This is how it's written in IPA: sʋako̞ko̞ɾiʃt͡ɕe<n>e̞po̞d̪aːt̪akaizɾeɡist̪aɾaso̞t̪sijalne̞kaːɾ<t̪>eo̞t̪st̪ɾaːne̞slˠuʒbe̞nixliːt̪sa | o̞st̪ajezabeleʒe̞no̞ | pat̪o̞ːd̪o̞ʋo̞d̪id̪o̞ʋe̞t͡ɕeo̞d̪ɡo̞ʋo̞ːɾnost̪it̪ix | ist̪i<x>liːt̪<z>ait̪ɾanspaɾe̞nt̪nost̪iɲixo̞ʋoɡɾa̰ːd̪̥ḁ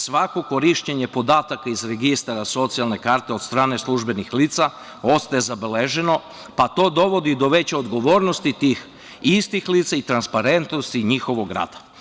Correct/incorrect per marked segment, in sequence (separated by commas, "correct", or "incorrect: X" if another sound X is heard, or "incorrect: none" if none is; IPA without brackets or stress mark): incorrect: ɲ, correct, correct, incorrect: s